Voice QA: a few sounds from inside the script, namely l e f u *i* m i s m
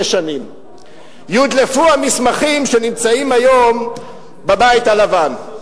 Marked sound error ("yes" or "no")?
yes